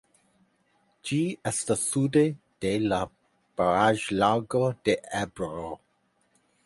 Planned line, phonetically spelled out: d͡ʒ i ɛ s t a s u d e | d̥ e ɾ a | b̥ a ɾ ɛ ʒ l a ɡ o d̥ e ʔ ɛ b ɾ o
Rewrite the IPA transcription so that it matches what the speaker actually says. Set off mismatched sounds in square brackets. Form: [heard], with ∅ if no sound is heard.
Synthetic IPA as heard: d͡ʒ i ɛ s t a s u d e | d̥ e [l] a | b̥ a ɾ [a] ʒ l a ɡ o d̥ e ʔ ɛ b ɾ o